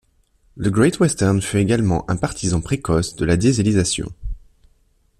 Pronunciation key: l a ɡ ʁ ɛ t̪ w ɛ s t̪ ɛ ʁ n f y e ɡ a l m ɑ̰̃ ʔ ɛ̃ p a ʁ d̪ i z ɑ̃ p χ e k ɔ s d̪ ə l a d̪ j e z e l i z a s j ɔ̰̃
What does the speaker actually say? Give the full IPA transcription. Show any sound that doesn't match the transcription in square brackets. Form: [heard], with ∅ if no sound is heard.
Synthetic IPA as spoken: l [ə] ɡ ʁ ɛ t̪ w ɛ s t̪ ɛ ʁ n f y e ɡ a l m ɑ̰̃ ʔ ɛ̃ p a ʁ [t̪] i z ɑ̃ p χ e k ɔ s d̪ ə l a d̪ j e z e l i z a s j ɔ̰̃